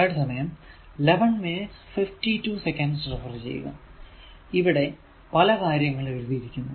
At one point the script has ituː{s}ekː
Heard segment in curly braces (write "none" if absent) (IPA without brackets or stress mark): s